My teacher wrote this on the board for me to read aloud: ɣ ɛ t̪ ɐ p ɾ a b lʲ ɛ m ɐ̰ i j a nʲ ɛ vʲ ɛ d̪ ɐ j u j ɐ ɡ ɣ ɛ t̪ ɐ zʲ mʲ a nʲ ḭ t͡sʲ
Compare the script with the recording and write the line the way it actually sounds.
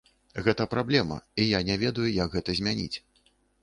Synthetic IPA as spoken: ɣ ɛ t̪ ɐ p ɾ a b lʲ ɛ m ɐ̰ i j a nʲ ɛ vʲ ɛ d̪ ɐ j u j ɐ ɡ ɣ ɛ t̪ ɐ zʲ mʲ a nʲ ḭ t͡sʲ